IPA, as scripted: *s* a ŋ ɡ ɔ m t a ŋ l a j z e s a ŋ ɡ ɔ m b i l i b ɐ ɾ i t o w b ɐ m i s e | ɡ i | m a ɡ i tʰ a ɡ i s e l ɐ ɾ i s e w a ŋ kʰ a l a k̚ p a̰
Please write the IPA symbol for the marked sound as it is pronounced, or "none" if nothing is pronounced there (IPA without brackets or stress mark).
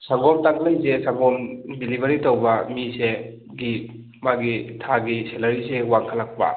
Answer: s